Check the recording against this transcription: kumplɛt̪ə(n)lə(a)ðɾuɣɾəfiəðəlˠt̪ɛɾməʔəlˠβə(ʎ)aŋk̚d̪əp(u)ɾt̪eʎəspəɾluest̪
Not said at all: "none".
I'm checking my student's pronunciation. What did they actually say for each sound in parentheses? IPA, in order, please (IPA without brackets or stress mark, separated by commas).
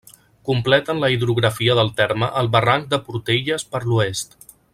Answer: n, i, r, u